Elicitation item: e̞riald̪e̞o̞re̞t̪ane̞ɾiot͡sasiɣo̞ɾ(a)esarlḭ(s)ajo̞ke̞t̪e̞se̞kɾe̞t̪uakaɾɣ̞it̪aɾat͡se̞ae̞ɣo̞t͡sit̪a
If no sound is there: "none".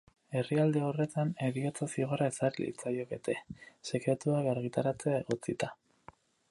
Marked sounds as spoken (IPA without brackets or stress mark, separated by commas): a, t͡s